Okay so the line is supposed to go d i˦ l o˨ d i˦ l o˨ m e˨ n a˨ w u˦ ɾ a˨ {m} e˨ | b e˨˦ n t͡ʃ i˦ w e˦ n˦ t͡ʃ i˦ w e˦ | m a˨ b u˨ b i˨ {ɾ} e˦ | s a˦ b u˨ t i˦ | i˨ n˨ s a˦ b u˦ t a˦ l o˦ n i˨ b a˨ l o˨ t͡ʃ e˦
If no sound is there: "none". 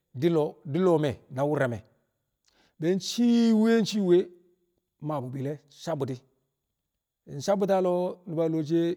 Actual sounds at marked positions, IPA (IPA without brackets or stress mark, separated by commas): m, l